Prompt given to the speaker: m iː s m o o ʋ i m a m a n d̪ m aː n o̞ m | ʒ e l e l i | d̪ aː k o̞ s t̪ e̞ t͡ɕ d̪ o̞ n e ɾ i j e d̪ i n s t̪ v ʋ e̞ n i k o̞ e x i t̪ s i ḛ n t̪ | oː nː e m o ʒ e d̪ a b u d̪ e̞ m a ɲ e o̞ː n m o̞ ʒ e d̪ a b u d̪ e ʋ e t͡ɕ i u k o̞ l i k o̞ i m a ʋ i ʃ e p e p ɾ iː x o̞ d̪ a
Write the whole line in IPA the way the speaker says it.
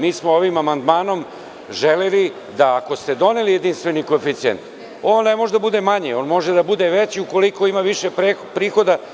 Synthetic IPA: m iː s m o o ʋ i m a m a n d̪ m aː n o̞ m | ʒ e l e l i | d̪ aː k o̞ s t̪ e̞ d̪ o̞ n e l i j e d̪ i n s t̪ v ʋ e̞ n i k o̞ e f i t̪ s i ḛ n t̪ | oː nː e m o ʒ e d̪ a b u d̪ e̞ m a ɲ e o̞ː n m o̞ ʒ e d̪ a b u d̪ e ʋ e t͡ɕ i u k o̞ l i k o̞ i m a ʋ i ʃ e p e p ɾ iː x o̞ d̪ a